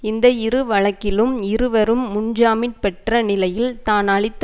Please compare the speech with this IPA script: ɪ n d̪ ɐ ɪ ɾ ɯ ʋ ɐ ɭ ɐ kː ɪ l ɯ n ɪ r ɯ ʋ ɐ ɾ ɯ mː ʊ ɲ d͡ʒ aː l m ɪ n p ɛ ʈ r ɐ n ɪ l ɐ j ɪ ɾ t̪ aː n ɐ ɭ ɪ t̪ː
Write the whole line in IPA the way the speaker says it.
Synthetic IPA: ɪ n d̪ ɐ ɪ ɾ ɯ ʋ ɐ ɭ ɐ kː ɪ l ɯ m ɪ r ɯ ʋ ɐ ɾ ɯ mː ʊ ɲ d͡ʒ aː m ɪ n p ɛ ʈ r ɐ n ɪ l ɐ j ɪ l t̪ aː n ɐ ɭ ɪ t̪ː

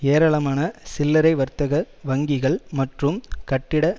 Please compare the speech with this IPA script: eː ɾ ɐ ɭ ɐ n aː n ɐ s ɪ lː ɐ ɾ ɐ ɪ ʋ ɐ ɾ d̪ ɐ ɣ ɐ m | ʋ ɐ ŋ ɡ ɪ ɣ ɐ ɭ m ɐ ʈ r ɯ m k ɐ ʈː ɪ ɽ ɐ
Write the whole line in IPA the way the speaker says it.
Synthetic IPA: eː ɾ ɐ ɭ ɐ m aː n ɐ s ɪ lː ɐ ɾ ɐ ɪ ʋ ɐ ɾ t̪ ɐ ɣ ɐ | ʋ ɐ ŋ ɡ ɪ ɣ ɐ ɭ m ɐ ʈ r ɯ m k ɐ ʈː ɪ ɽ ɐ

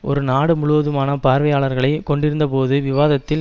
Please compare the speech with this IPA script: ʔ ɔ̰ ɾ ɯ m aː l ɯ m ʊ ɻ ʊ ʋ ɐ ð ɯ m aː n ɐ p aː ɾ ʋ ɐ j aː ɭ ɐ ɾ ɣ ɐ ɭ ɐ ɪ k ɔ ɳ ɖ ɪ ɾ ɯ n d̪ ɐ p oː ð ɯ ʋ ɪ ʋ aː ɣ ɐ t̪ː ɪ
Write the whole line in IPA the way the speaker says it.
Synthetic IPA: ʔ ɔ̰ ɾ ɯ n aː ɽ ɯ m ʊ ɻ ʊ ʋ ɐ ð ɯ m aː n ɐ p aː ɾ ʋ ɐ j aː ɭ ɐ ɾ ɣ ɐ ɭ ɐ ɪ k ɔ ɳ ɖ ɪ ɾ ɯ n d̪ ɐ p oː ð ɯ ʋ ɪ ʋ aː ð ɐ t̪ː ɪ

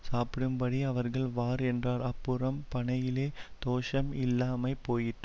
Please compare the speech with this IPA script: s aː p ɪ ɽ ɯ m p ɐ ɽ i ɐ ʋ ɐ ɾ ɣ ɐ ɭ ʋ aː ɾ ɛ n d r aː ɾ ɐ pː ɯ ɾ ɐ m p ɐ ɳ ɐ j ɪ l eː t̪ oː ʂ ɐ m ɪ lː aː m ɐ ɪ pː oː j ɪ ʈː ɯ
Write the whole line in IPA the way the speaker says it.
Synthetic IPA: s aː p ɪ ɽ ɯ m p ɐ ɽ i ɐ ʋ ɐ ɾ ɣ ɐ ɭ ʋ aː ɾ ɛ n d r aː ɾ ɐ pː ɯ ɾ ɐ m p ɐ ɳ ɐ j ɪ l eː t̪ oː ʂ ɐ m ɪ lː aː m ɐ ɪ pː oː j ɪ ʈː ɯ

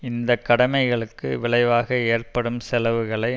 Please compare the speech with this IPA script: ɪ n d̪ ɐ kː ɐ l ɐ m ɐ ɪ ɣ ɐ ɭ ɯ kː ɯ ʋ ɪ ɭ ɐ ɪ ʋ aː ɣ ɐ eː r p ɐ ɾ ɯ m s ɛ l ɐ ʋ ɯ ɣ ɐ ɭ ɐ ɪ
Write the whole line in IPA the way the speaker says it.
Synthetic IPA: ɪ n d̪ ɐ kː ɐ ɽ ɐ m ɐ ɪ ɣ ɐ ɭ ɯ kː ɯ ʋ ɪ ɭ ɐ ɪ ʋ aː ɣ ɐ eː r p ɐ ɽ ɯ m s ɛ l ɐ ʋ ɯ ɣ ɐ ɭ ɐ ɪ

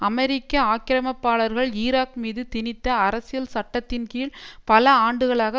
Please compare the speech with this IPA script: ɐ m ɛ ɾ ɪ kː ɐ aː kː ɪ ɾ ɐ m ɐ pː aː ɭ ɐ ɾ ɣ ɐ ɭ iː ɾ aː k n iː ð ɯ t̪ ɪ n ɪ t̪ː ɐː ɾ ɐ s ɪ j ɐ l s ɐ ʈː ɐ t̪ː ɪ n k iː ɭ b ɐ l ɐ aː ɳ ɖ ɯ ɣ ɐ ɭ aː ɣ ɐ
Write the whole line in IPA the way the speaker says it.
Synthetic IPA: ɐ m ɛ ɾ ɪ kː ɐ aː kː ɪ ɾ ɐ m ɐ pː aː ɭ ɐ ɾ ɣ ɐ ɭ iː ɾ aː k m iː ð ɯ t̪ ɪ n ɪ t̪ː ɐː ɾ ɐ s ɪ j ɐ l s ɐ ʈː ɐ t̪ː ɪ n k iː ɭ p ɐ l ɐ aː ɳ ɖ ɯ ɣ ɐ ɭ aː ɣ ɐ

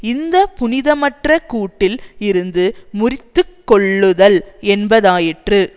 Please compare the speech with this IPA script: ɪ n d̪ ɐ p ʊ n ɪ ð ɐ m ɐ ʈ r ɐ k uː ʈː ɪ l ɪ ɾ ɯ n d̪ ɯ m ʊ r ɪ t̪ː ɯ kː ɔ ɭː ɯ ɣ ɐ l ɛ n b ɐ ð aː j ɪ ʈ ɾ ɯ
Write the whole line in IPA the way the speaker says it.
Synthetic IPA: ɪ n d̪ ɐ p ʊ n ɪ ð ɐ m ɐ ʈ r ɐ k uː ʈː ɪ l ɪ ɾ ɯ n d̪ ɯ m ʊ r ɪ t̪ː ɯ kː ɔ ɭː ɯ ð ɐ l ɛ n b ɐ ð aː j ɪ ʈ r ɯ

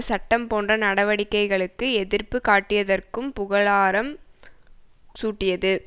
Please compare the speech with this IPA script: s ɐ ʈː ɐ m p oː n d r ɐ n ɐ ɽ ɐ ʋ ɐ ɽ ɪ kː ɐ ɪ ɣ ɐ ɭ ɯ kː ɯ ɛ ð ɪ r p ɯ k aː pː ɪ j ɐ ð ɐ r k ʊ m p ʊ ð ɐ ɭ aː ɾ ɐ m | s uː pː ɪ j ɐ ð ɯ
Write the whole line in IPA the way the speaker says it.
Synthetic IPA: s ɐ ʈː ɐ m p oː n d r ɐ n ɐ ɽ ɐ ʋ ɐ ɽ ɪ kː ɐ ɪ ɣ ɐ ɭ ɯ kː ɯ ɛ ð ɪ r p ɯ k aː ʈː ɪ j ɐ ð ɐ r k ɯ m p ʊ ɣ ɐ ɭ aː ɾ ɐ m | s uː ʈː ɪ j ɐ ð ɯ

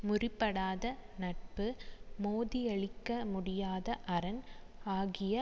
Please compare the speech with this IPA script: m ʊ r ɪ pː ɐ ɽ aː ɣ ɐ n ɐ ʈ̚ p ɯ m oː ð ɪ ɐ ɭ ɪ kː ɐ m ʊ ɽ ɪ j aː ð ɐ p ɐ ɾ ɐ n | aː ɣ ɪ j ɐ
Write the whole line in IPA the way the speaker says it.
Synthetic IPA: m ʊ r ɪ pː ɐ ɽ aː ð ɐ n ɐ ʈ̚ p ɯ m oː ð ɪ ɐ ɭ ɪ kː ɐ m ʊ ɽ ɪ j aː ð ɐ ʔ ɐ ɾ ɐ n | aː ɣ ɪ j ɐ

